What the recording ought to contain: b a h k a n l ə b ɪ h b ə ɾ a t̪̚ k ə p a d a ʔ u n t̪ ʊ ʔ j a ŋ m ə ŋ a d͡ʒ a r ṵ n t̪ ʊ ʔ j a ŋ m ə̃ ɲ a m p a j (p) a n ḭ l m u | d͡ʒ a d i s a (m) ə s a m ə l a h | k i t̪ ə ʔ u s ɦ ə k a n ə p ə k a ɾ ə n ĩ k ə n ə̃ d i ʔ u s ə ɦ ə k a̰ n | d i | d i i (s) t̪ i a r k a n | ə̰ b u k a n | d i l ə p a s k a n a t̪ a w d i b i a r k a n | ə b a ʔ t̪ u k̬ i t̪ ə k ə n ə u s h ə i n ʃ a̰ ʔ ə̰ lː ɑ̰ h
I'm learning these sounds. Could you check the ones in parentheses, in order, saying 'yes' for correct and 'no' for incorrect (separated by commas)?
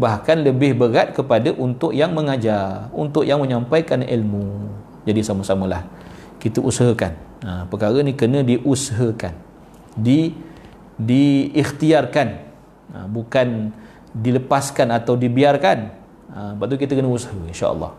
no, yes, no